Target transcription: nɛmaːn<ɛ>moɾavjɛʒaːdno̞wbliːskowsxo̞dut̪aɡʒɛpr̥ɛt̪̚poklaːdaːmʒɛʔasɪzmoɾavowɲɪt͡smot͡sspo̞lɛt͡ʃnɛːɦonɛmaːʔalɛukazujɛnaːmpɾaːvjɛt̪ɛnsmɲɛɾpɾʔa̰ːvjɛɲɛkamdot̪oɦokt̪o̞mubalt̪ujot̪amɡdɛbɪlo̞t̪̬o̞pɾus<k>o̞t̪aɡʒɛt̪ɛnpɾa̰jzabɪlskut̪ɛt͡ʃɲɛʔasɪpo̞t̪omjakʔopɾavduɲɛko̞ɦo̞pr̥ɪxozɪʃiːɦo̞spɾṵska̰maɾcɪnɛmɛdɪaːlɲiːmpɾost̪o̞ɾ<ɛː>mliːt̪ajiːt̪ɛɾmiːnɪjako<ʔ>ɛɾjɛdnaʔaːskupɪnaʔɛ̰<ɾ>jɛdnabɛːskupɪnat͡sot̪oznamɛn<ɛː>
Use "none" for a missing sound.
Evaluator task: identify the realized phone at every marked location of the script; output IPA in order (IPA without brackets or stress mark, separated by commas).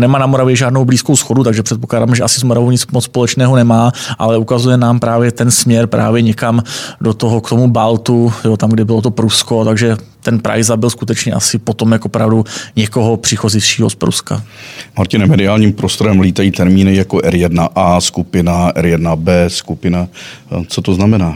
a, k, ɛ, ʔ, ɾ, aː